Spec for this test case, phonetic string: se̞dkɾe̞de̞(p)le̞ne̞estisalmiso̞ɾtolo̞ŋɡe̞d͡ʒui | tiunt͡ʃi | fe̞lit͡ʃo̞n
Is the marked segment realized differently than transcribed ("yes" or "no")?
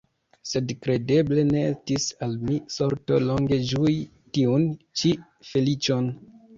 yes